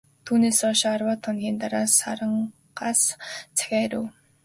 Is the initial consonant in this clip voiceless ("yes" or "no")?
yes